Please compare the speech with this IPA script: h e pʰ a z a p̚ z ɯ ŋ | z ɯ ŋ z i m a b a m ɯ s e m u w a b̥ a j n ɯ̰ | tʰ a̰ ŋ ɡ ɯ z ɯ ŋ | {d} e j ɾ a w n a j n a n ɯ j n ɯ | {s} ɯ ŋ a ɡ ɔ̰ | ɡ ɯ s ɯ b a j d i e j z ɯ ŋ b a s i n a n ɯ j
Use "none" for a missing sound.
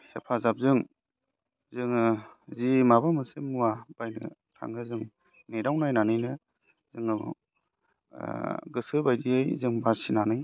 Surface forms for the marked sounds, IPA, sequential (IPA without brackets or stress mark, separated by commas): n, z